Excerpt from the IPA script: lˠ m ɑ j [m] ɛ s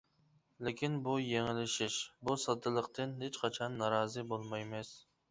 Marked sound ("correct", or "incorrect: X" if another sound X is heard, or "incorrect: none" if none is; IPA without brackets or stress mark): correct